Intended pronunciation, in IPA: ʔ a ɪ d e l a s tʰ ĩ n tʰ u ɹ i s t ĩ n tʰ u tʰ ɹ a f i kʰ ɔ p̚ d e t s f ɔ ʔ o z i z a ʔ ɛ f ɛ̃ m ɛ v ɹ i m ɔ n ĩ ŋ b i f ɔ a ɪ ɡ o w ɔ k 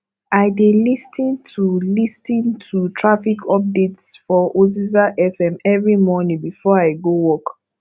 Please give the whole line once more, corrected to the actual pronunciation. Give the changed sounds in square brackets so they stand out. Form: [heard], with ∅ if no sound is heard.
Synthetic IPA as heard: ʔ a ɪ d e l [i] s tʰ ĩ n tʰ u [l] i s t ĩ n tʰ u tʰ ɹ a f i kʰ ɔ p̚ d e t s f ɔ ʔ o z i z a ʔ ɛ f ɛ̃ m ɛ v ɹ i m ɔ n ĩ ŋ b i f ɔ a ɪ ɡ o w ɔ k